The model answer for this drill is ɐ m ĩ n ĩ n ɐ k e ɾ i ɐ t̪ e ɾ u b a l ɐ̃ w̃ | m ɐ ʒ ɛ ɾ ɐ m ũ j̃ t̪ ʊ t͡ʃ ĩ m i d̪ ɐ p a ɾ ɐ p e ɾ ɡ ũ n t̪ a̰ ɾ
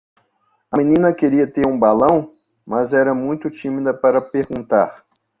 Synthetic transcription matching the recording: ɐ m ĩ n ĩ n ɐ k e ɾ i ɐ t̪ e ɾ ũ b a l ɐ̃ w̃ | m ɐ z ɛ ɾ ɐ m ũ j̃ t̪ ʊ t͡ʃ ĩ m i d̪ ɐ p a ɾ ɐ p e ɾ ɡ ũ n t̪ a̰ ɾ